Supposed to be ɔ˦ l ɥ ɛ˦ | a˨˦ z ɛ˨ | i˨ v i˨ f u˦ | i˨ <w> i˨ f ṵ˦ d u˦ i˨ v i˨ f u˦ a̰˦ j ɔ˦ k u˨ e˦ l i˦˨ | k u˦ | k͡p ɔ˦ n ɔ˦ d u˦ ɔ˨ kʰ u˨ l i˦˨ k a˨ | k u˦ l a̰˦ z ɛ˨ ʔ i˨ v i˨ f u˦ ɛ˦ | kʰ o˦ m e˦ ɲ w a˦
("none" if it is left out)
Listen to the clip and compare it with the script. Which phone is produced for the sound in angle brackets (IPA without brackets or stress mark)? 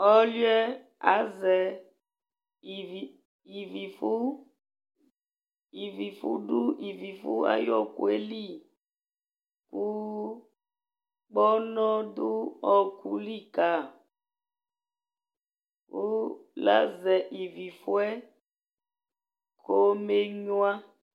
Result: v